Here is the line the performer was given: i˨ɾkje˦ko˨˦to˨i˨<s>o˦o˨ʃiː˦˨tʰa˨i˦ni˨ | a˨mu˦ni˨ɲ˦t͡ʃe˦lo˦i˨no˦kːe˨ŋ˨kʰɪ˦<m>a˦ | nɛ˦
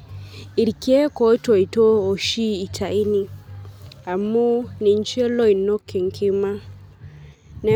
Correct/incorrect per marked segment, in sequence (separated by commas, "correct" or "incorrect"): incorrect, correct